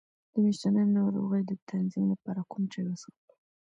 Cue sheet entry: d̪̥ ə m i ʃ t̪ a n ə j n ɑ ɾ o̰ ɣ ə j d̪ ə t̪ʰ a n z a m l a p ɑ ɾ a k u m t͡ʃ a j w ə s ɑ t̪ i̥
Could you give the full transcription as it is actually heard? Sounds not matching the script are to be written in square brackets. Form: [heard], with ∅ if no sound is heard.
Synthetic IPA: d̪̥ ə m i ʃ t̪ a n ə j n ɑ ɾ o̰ ɣ ə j d̪ ə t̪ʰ a n z [i] m l a p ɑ ɾ a k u m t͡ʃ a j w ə s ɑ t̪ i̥